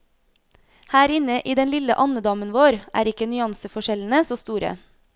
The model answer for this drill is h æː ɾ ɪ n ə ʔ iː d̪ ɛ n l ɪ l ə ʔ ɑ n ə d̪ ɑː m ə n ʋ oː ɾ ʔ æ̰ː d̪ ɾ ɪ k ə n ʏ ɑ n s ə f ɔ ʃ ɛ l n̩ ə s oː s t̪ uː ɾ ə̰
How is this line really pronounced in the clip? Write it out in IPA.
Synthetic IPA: h æː ɾ ɪ n ə ʔ iː d̪ ɛ n l ɪ l ə ʔ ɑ n ə d̪ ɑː m ə n ʋ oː ɾ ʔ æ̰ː ɾ ɪ k ə n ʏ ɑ n s ə f ɔ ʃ ɛ l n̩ ə s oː s t̪ uː ɾ ə̰